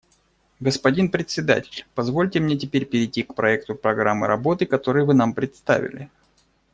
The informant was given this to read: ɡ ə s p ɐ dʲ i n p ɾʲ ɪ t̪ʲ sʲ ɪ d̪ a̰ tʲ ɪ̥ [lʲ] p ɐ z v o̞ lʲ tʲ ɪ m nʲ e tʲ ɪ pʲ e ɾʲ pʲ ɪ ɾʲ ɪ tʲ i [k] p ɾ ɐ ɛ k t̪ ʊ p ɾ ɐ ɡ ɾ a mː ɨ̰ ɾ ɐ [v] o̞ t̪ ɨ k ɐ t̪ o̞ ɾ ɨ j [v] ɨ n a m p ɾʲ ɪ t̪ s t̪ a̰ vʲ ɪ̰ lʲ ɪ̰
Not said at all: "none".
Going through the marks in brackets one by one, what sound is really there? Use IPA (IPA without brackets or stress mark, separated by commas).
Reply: lʲ, k, b, v